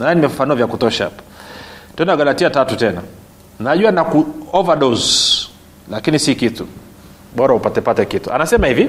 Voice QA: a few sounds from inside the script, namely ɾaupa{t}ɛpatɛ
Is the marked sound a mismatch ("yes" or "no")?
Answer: no